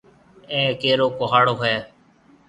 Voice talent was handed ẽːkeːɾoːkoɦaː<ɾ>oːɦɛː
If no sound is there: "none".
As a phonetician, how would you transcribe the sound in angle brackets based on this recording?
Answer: ɽ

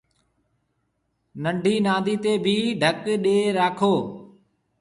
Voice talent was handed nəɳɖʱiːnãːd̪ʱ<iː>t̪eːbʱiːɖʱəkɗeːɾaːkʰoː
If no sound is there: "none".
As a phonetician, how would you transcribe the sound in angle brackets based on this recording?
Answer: iː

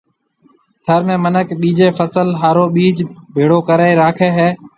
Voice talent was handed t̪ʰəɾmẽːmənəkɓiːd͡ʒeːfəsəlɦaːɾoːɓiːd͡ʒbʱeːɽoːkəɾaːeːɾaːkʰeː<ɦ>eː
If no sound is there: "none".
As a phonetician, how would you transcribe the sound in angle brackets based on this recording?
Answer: ɦ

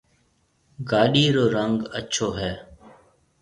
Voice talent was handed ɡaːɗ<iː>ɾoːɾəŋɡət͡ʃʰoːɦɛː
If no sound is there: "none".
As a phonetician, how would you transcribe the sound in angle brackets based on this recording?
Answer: iː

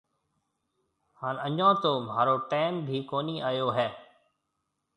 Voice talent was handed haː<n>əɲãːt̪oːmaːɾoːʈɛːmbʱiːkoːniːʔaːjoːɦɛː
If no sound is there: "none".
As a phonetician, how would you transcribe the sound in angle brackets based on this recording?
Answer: n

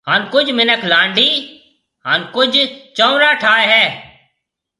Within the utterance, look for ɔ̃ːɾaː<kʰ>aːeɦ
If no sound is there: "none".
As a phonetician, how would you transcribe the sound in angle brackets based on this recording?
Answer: ʈʰ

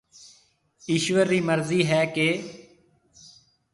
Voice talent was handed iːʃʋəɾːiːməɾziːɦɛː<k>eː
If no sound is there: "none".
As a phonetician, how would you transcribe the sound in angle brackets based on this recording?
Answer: k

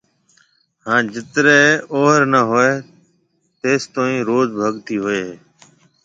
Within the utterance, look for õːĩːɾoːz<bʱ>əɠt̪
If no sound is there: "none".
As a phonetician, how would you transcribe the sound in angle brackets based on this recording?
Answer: bʱ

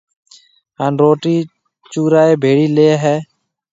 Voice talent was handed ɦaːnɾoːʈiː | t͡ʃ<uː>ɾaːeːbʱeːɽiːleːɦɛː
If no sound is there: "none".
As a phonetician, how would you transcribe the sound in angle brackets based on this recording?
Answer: uː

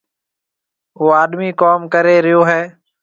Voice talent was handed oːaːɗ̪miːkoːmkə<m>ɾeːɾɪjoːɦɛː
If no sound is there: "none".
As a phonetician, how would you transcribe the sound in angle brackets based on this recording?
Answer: none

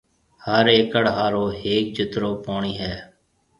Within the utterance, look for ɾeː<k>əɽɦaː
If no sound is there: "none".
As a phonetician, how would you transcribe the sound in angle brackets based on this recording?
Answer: k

